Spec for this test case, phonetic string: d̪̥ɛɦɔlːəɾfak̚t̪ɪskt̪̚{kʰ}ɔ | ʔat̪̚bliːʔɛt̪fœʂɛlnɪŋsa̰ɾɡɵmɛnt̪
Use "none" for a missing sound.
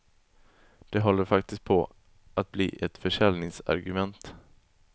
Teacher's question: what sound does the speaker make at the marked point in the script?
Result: pʰ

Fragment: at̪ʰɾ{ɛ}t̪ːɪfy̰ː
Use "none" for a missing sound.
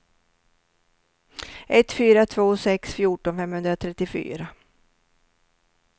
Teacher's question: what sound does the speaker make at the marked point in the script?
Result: ɛ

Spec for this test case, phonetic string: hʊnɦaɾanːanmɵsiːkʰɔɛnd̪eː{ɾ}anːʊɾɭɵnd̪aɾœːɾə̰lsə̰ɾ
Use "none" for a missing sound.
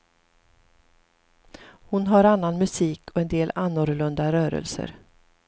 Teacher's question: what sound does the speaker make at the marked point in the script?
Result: l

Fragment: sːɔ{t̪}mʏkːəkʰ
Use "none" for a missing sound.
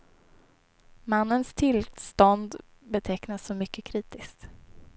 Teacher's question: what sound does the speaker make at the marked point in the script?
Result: none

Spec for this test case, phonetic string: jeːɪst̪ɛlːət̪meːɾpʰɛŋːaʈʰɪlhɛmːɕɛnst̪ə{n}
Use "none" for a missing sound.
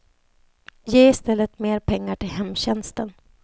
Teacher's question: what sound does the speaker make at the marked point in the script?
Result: n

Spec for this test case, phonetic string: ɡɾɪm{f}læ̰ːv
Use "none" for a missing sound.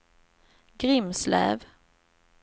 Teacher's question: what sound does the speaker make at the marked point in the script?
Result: s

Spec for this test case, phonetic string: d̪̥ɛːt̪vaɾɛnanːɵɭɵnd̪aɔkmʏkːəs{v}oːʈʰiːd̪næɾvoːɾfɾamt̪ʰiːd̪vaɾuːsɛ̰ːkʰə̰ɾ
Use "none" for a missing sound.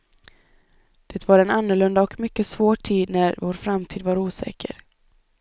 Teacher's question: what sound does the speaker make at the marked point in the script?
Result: v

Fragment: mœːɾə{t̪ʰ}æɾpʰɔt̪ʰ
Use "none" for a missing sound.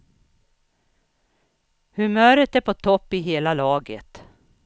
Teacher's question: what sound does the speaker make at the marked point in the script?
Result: t̪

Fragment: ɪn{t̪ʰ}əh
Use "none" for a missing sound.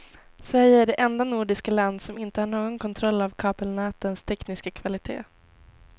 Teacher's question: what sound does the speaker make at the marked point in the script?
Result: t̪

